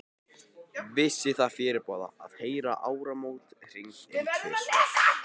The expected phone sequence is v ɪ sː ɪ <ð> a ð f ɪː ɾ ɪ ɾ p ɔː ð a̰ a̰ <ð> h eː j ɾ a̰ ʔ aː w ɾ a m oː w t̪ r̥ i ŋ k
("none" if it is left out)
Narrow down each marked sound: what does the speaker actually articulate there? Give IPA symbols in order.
θ, ð

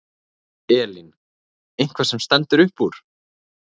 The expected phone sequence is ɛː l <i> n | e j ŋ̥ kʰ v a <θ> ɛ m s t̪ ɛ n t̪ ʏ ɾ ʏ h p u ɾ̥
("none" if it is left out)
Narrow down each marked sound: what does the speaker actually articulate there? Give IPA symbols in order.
i, s

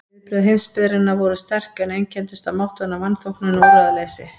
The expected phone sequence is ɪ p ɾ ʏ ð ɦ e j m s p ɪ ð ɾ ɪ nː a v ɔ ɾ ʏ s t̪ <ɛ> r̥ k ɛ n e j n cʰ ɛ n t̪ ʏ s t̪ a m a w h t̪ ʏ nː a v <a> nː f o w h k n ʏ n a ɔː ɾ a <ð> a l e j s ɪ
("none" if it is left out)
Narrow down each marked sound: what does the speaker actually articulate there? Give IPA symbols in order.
ɛ, a, ð

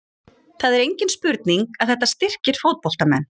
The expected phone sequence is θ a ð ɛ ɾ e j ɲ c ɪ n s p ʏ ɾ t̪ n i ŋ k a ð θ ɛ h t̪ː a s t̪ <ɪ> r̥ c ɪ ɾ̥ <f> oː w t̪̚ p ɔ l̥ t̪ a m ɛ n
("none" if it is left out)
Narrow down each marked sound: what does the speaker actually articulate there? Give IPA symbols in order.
ɪ, f

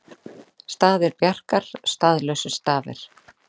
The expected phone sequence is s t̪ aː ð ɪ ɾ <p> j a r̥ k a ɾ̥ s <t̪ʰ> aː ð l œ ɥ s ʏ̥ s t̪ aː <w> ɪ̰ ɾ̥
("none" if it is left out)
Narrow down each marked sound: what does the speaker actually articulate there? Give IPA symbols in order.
p, t̪, v

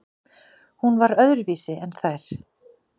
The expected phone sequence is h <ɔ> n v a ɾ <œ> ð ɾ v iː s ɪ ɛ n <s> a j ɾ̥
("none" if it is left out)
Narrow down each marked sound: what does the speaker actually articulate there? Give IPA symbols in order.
u, œ, θ

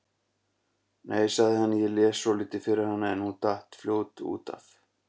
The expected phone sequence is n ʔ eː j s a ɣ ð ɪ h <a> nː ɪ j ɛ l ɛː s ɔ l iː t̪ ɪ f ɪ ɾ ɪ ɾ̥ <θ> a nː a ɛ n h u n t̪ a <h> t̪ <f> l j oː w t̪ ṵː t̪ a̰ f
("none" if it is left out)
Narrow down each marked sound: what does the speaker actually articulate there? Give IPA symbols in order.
a, h, h, f

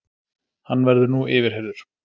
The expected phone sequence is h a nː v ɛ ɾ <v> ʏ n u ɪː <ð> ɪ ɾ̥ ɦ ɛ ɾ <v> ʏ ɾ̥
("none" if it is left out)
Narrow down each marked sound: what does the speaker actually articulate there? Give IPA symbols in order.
ð, v, ð

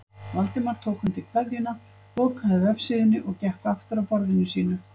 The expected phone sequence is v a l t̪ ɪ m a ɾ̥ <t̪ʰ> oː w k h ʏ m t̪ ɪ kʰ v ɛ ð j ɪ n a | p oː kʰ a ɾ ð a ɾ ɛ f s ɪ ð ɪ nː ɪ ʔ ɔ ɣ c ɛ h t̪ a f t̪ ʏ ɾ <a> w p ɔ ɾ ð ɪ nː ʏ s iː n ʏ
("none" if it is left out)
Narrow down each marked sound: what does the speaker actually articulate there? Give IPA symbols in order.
t̪ʰ, a

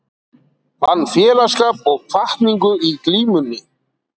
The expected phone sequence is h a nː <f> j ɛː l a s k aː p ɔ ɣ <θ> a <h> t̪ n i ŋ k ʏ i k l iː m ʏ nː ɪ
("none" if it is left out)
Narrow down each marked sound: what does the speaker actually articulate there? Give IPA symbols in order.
f, f, h

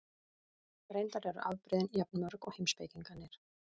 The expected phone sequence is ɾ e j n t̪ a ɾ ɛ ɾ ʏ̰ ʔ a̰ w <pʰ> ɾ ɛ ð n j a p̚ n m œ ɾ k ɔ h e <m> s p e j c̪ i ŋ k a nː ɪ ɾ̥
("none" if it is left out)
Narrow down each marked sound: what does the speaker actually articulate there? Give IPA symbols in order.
p, m

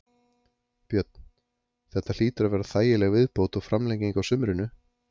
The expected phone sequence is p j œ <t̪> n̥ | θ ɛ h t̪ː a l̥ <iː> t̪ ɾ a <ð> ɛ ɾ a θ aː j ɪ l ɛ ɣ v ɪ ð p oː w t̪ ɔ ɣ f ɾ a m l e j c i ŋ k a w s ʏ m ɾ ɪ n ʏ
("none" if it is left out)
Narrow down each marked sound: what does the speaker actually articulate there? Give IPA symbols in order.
t̪, iː, v

